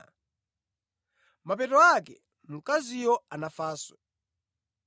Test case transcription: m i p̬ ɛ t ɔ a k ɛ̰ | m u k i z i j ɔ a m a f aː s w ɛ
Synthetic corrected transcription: m a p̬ ɛ t ɔ a k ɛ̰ | m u k a z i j ɔ a n a f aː s w ɛ

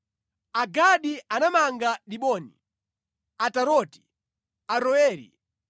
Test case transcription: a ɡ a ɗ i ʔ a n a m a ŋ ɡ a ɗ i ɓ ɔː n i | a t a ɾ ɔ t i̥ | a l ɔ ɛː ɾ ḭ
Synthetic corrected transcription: a ɡ a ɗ i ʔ a n a m a ŋ ɡ a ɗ i ɓ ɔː n i | a t a ɾ ɔ t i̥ | a ɾ ɔ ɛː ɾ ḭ

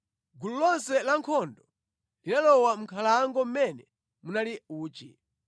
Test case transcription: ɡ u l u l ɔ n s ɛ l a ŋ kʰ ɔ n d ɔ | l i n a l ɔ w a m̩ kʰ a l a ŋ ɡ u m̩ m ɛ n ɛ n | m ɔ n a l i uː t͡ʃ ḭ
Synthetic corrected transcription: ɡ u l u l ɔ n s ɛ l a ŋ kʰ ɔ n d ɔ | l i n a l ɔ w a m̩ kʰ a l a ŋ ɡ ɔ m̩ m ɛ n ɛ | m u n a l i uː t͡ʃ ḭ

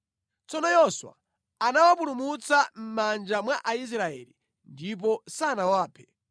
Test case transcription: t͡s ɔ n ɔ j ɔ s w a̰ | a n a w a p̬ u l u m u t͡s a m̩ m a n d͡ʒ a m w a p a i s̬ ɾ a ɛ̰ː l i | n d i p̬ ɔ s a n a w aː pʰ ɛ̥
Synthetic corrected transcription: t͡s ɔ n ɔ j ɔ s w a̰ | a n a w a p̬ u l u m u t͡s a m̩ m a n d͡ʒ a m w a ʔ a i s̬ ɾ a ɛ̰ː l i | n d i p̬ ɔ s a n a w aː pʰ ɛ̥

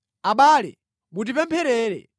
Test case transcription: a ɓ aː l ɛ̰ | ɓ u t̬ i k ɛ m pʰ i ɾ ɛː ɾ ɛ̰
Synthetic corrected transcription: a ɓ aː l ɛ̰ | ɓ u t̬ i p ɛ m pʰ ɛ ɾ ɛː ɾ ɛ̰

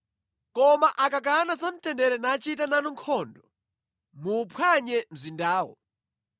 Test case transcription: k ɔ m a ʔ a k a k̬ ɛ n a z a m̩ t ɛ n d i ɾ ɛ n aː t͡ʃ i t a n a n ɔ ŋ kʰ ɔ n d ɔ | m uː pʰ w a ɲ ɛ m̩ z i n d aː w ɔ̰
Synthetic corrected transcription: k ɔ m a ʔ a k a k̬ a n a z a m̩ t ɛ n d ɛ ɾ ɛ n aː t͡ʃ i t a n a n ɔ ŋ kʰ ɔ n d ɔ | m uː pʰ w a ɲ ɛ m̩ z i n d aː w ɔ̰

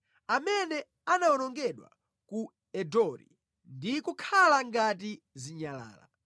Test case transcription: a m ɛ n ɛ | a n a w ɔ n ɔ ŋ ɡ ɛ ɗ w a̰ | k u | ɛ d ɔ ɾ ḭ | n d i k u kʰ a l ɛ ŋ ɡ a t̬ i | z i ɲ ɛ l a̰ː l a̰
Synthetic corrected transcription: a m ɛ n ɛ | a n a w ɔ n ɔ ŋ ɡ ɛ ɗ w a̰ | k u | ɛ d ɔ ɾ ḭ | n d i k u kʰ a l a ŋ ɡ a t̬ i | z i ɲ a l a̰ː l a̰

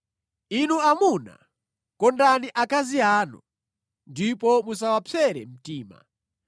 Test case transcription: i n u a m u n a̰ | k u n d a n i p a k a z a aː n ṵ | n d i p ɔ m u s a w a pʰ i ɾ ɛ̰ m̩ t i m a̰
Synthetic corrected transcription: i n u a m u n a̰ | k ɔ n d a n i ʔ a k a z i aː n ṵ | n d i p ɔ m u s a w a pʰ ɛ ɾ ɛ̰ m̩ t iː m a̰

